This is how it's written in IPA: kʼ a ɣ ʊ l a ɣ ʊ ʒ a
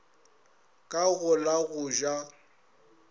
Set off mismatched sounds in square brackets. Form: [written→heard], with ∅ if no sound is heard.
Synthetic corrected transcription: kʼ a ɣ ʊ l a ɣ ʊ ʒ a